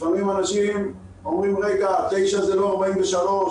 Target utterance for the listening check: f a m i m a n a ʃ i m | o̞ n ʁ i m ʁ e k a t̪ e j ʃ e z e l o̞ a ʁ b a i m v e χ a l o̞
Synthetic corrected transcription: f a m i m a n a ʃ i m | o̞ m ʁ i m ʁ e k a t̪ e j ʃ a z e l o̞ a ʁ b a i m v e ʃ a l o̞